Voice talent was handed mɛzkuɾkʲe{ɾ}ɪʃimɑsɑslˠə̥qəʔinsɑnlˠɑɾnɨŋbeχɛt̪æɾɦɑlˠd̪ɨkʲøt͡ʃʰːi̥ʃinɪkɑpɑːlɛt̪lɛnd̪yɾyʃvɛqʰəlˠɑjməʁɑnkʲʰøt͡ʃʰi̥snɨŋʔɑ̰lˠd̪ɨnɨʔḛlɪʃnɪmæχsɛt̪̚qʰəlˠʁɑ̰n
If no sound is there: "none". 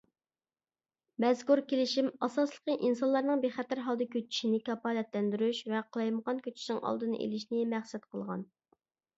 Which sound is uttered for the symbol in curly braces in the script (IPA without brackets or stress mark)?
l